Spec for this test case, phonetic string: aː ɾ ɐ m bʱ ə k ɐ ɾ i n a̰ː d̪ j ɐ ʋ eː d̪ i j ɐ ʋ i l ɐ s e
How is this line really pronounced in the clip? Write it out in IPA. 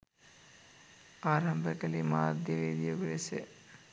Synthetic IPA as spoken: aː ɾ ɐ m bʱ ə k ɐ l i m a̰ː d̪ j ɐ ʋ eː d̪ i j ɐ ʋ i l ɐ s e